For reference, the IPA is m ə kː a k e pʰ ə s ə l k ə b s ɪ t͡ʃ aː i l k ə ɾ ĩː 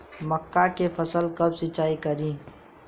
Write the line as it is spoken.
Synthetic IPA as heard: m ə kː a k e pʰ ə s ə l k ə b s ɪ t͡ʃ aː i k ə ɾ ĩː

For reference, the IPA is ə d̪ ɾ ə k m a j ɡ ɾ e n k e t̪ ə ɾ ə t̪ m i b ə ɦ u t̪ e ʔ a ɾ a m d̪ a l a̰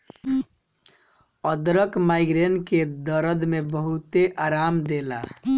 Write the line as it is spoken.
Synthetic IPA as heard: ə d̪ ɾ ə k m a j ɡ ɾ e n k e d̪ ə ɾ ə d̪ m e b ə ɦ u t̪ e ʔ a ɾ a m d̪ e l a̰

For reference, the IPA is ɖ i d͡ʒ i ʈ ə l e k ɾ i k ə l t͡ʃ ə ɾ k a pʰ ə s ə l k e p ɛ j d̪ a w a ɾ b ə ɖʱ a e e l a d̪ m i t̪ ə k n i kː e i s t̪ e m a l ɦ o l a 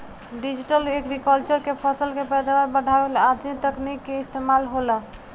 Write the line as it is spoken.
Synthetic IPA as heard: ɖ i d͡ʒ i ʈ ə l e k ɾ i k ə l t͡ʃ ə ɾ k e pʰ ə s ə l k e p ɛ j d̪ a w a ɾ b ə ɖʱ a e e l a d̪ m i t̪ ə k n i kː e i s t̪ e m a l ɦ o l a

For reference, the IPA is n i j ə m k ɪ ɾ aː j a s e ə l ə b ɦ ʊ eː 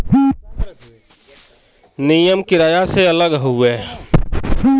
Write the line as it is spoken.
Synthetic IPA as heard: n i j ə m k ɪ ɾ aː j a s e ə l ə ɡ ɦ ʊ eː

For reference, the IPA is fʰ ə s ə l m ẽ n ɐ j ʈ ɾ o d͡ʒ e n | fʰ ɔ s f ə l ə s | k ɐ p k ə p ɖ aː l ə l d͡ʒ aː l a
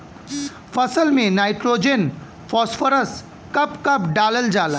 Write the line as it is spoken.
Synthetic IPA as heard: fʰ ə s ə l m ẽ n a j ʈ ɾ o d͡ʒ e n | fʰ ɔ s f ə ɾ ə s | k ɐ p k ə p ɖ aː l ə l d͡ʒ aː l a

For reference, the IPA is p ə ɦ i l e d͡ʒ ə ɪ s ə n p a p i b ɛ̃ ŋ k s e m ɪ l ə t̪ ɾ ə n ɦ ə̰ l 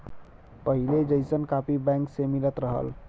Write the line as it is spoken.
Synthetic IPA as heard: p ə ɦ i l e d͡ʒ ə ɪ s ə n k a p i b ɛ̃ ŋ k s e m i l ə t̪ ɾ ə ɦ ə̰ l

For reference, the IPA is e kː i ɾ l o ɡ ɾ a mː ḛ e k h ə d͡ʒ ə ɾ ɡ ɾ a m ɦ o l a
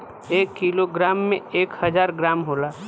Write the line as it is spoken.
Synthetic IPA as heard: e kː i l o ɡ ɾ a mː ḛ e k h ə d͡ʒ a ɾ ɡ ɾ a m ɦ o l a

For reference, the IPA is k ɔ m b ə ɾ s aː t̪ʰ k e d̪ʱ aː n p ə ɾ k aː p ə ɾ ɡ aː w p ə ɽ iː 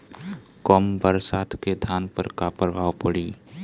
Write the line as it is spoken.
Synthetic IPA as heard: k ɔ m b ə ɾ s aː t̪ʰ k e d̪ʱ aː n p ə ɾ k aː p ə ɾ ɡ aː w p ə ɽ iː

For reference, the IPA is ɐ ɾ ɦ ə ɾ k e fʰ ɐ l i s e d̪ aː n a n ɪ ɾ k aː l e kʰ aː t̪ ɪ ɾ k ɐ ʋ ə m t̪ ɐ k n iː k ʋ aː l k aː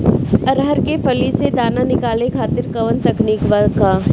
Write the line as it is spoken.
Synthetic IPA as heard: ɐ ɾ ɦ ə ɾ k e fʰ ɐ l i s e d̪ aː n a n ɪ k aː l e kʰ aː t̪ ɪ ɾ k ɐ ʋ ə n t̪ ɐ k n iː k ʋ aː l k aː

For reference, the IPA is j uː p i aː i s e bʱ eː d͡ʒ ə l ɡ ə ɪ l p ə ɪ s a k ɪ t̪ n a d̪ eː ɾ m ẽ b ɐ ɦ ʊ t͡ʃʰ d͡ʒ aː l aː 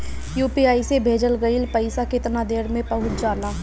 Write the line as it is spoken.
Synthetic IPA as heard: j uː p i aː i s e bʱ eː d͡ʒ ə l ɡ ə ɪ l p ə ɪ s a k ɪ t̪ n a d̪ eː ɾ m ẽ p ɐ ɦ ʊ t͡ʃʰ d͡ʒ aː l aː

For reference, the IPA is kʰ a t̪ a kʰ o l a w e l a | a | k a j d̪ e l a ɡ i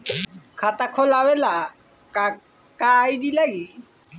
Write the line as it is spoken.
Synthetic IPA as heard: kʰ a t̪ a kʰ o l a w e l a | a | k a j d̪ i l a ɡ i

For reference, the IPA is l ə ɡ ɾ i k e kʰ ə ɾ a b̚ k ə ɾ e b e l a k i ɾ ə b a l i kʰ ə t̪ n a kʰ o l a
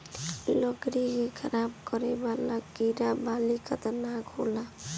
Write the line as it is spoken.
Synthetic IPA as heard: l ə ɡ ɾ i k e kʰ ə ɾ a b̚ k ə ɾ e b a l a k i ɾ a b a l i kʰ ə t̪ n a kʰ o l a

